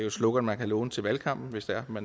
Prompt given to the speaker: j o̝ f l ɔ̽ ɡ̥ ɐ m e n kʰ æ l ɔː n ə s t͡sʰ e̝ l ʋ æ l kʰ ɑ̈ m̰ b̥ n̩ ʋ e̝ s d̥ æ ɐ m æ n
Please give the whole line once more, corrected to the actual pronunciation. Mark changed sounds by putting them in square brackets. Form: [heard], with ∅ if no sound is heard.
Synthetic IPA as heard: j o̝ [s] l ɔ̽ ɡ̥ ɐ m [æ] n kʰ æ l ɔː n ə [∅] t͡sʰ e̝ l ʋ æ l kʰ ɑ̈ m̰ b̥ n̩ ʋ e̝ s d̥ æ ɐ m æ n